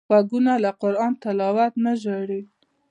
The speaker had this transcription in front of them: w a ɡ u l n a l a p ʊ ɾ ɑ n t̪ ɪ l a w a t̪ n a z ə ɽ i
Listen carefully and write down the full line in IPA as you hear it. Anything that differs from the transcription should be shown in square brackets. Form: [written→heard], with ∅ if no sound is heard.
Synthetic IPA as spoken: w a ɡ u [l→∅] n a l a [p→q] ʊ ɾ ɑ n t̪ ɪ l [a→ɑ] w a t̪ n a [z→ʒ] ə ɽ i